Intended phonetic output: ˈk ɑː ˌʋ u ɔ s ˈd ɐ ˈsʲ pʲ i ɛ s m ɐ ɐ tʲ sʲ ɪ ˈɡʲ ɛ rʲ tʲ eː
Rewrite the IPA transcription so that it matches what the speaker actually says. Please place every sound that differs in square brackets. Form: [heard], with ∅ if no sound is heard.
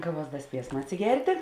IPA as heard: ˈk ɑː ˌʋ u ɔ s ˈd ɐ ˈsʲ pʲ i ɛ s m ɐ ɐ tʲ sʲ ɪ ˈɡʲ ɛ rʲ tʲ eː